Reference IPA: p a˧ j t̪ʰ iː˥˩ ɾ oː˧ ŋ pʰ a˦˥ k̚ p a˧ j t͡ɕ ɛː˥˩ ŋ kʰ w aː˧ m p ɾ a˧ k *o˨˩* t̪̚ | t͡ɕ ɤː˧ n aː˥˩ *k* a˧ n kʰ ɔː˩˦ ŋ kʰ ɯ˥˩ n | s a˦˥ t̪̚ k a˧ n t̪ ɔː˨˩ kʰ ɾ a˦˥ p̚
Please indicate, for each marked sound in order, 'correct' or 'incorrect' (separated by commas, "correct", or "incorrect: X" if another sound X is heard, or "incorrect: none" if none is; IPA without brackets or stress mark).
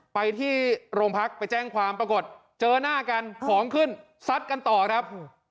correct, correct